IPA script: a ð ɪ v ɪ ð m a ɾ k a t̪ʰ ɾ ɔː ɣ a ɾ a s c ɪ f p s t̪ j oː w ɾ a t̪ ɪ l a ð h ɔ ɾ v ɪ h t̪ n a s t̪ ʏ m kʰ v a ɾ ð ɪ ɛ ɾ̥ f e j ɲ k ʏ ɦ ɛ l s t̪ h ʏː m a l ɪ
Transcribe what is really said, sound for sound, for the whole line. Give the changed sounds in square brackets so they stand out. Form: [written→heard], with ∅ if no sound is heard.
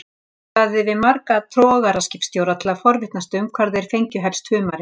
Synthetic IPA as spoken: a ð ɪ v ɪ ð m a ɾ k a t̪ʰ ɾ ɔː ɣ a ɾ a s c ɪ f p s t̪ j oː w ɾ a [t̪→t̪ʰ] ɪ l a ð [h→f] ɔ ɾ v ɪ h t̪ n a s t̪ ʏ m kʰ v a ɾ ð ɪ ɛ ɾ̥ f e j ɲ [k→c] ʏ ɦ ɛ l s t̪ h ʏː m a [l→ɾ] ɪ